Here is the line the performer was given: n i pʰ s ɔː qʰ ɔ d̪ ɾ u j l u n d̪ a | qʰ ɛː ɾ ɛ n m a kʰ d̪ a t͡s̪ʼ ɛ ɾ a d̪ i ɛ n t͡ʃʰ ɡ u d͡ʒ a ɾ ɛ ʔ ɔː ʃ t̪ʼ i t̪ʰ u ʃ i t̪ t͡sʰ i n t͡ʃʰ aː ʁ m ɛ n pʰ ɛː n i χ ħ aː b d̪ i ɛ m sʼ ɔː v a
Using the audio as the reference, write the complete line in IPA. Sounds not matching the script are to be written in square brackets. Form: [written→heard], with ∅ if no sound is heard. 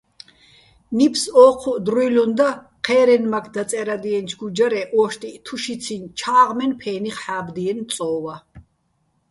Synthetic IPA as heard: n i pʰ s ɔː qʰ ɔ d̪ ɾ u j l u n d̪ a | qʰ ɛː ɾ ɛ n m a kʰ d̪ a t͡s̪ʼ ɛ ɾ a d̪ i ɛ n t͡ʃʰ ɡ u d͡ʒ a ɾ ɛ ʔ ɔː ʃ t̪ʼ i t̪ʰ u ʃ i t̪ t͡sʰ i n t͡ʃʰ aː ʁ m ɛ n pʰ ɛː n i χ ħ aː b d̪ i ɛ [m→n] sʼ ɔː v a